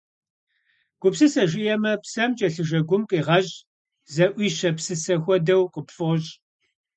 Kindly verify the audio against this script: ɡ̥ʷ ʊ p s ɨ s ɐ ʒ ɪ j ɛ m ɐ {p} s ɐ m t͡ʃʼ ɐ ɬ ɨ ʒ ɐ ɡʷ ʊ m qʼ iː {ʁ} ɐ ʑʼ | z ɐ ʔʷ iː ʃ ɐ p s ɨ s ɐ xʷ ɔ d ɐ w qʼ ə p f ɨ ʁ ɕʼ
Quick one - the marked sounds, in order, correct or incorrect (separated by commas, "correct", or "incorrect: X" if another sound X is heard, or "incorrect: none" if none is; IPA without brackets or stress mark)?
correct, correct